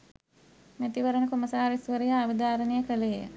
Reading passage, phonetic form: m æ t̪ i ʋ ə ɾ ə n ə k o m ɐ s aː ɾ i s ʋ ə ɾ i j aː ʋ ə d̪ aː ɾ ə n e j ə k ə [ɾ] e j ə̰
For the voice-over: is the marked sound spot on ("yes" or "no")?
no